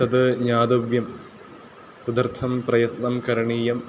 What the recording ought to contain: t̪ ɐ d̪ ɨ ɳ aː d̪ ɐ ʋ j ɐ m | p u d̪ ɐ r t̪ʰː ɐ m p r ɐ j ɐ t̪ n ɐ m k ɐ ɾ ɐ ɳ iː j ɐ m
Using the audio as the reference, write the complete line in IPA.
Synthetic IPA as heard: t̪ ɐ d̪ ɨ ɲ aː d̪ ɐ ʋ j ɐ m | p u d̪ ɐ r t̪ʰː ɐ m p r ɐ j ɐ t̪ n ɐ m k ɐ ɾ ɐ ɳ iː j ɐ m